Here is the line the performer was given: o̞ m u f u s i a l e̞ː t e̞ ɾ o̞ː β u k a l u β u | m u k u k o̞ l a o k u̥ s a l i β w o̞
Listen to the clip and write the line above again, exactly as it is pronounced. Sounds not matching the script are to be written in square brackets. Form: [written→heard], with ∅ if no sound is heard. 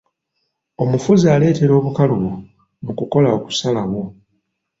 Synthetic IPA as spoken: o̞ m u f u [s→z] i a l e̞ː t e̞ ɾ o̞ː β u k a l u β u | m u k u k o̞ l a o k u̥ s a l [i→a] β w o̞